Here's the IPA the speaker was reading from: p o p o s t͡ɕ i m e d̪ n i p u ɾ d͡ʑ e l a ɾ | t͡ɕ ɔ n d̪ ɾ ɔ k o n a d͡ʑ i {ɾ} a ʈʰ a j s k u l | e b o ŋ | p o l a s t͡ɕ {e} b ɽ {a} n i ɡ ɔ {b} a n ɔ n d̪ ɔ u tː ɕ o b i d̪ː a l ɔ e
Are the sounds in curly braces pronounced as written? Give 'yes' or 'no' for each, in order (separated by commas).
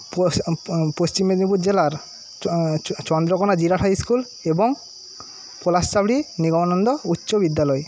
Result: yes, no, no, no